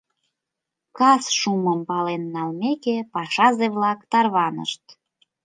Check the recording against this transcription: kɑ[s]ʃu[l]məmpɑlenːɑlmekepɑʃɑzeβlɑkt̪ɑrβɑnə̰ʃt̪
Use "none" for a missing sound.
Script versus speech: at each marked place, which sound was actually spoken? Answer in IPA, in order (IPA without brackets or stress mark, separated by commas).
s, none